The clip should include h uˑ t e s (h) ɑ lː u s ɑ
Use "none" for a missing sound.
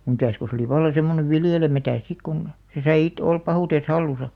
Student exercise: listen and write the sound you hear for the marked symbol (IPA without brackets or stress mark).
h